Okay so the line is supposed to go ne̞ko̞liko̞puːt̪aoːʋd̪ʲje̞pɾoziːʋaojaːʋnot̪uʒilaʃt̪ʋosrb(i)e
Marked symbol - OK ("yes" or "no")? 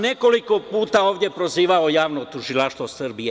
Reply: yes